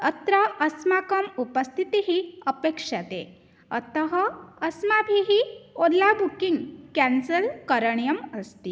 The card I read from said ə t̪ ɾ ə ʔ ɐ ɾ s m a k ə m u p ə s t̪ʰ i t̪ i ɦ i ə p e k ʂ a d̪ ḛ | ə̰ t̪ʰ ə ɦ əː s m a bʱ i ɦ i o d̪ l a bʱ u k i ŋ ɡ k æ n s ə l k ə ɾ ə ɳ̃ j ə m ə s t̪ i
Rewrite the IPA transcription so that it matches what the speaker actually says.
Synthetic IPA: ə t̪ ɾ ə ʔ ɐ s m a k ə m u p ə s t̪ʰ i t̪ i ɦ i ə p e k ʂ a t̪ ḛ | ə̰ t̪ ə ɦ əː s m a bʱ i ɦ i o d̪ l a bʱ u k i ŋ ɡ k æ n s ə l k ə ɾ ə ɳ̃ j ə m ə s t̪ i